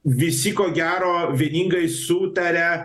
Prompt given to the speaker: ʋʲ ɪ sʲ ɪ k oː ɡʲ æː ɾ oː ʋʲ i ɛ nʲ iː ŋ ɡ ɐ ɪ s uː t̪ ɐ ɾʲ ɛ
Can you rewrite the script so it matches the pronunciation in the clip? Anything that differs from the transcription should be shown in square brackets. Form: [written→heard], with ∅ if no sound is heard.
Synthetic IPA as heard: ʋʲ ɪ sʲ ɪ k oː ɡʲ æː ɾ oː ʋʲ i ɛ nʲ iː ŋ ɡ ɐ ɪ s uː t̪ ɐ ɾʲ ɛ